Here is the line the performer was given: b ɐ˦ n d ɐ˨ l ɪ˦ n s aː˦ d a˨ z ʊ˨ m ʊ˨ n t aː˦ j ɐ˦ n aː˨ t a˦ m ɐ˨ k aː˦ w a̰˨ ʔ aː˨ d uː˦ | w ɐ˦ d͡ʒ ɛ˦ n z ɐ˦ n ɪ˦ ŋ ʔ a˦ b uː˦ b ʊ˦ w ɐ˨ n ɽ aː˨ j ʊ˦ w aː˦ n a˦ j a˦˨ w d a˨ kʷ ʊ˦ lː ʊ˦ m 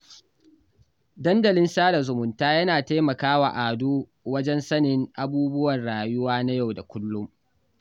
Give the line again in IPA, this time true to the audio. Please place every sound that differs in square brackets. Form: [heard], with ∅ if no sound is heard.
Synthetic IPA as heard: [d] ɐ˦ n d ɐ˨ l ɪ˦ n s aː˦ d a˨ z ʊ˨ m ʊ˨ n t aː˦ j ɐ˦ n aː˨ t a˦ m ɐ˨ k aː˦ w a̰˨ ʔ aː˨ d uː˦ | w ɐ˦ d͡ʒ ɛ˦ n [s] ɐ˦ n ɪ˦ ŋ ʔ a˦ b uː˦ b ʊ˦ w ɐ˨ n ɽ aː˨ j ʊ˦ w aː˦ n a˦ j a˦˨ w d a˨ kʷ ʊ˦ lː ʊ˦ m